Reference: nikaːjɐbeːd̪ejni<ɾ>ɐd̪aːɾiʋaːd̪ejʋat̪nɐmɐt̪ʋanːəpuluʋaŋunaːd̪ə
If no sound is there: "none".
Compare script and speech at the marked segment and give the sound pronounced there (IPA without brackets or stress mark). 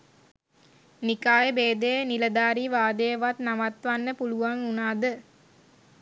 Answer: l